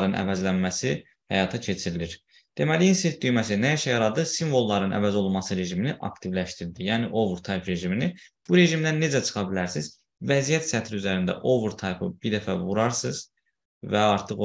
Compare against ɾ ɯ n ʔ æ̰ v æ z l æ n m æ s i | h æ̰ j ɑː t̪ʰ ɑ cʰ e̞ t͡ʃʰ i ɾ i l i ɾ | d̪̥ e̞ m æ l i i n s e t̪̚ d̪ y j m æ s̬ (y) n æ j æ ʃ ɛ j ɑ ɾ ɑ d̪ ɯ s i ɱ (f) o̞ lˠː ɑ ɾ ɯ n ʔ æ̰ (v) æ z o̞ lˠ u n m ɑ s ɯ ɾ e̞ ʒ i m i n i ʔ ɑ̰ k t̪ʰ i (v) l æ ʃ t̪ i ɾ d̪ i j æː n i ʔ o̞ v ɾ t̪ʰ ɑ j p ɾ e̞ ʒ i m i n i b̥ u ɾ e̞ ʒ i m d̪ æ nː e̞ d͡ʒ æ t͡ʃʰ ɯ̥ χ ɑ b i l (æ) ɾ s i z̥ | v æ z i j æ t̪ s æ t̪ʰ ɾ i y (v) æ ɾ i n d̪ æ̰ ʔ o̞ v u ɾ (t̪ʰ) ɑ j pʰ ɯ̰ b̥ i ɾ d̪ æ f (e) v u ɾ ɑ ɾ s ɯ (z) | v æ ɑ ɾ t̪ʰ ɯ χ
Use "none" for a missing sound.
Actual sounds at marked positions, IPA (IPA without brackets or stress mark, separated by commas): i, v, v, v, æ, z, t̪ʰ, æ, z